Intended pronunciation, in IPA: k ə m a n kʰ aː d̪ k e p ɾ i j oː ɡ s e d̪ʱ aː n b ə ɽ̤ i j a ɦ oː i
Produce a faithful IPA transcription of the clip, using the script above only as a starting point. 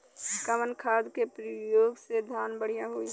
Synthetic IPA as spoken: k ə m ə n kʰ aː d̪ k e p ɾ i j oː ɡ s e d̪ʱ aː n b ə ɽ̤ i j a ɦ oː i